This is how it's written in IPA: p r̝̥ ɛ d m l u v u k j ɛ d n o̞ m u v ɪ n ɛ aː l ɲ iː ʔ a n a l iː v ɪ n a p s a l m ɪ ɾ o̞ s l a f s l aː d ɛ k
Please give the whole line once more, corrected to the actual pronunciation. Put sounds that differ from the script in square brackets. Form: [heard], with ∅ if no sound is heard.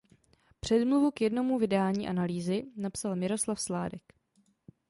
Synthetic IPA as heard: p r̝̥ ɛ d m l u v u k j ɛ d n o̞ m u v ɪ [d] ɛ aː l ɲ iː ʔ a n a l iː [z] ɪ n a p s a l m ɪ ɾ o̞ s l a f s l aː d ɛ k